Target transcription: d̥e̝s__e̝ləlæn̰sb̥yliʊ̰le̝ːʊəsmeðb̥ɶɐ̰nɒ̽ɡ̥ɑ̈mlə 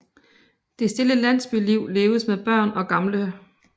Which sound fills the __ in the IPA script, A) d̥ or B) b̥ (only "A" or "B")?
A